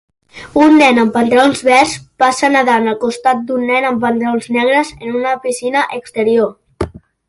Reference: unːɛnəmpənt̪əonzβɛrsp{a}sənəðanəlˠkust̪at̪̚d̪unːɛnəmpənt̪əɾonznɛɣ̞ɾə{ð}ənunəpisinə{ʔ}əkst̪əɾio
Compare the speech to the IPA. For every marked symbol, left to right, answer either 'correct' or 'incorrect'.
correct, incorrect, correct

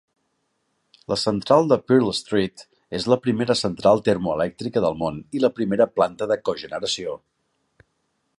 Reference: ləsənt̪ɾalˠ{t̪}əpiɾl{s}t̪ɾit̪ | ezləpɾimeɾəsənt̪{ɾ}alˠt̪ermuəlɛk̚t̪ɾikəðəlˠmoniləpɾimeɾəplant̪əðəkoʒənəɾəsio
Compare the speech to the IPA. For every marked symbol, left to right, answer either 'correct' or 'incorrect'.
incorrect, correct, correct

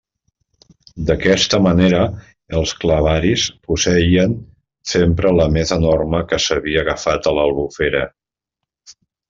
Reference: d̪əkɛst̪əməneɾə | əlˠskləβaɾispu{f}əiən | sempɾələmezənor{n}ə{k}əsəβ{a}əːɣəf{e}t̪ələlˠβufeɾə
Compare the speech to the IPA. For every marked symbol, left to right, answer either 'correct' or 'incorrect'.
incorrect, incorrect, correct, incorrect, incorrect

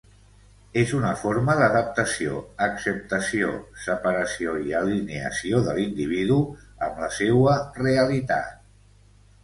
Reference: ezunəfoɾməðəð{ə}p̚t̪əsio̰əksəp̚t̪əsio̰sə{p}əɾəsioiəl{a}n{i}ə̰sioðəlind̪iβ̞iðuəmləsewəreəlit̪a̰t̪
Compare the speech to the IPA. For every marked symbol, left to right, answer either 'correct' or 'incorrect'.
correct, correct, incorrect, incorrect

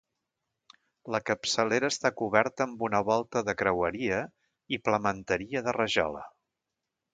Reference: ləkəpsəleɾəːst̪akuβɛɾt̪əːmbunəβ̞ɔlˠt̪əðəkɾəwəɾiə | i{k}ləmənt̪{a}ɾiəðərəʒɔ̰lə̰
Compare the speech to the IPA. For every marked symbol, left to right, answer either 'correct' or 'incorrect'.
incorrect, incorrect

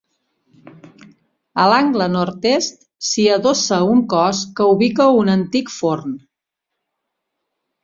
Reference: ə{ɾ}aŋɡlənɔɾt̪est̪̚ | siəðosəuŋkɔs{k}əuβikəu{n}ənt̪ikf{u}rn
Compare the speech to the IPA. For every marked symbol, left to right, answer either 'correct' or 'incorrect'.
incorrect, correct, correct, incorrect

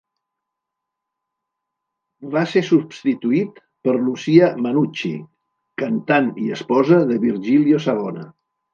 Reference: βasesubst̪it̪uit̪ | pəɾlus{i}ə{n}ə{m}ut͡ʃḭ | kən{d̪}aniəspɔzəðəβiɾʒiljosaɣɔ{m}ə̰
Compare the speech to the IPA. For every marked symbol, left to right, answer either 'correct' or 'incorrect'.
correct, incorrect, incorrect, incorrect, incorrect

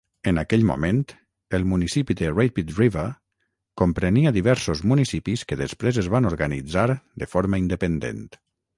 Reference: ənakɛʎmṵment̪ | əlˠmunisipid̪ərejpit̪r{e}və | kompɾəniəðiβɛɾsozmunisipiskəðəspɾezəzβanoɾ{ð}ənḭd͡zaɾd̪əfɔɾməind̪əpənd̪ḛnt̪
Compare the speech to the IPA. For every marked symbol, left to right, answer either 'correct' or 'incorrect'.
incorrect, incorrect

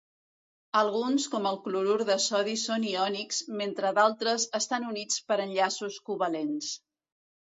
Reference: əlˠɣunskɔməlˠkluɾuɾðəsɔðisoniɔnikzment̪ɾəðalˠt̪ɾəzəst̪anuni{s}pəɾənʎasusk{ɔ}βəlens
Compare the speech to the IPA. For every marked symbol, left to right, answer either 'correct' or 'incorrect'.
incorrect, incorrect

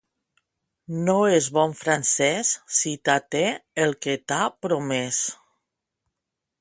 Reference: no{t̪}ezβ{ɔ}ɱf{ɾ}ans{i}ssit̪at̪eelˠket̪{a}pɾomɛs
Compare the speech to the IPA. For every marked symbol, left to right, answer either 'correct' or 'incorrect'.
incorrect, correct, correct, incorrect, correct

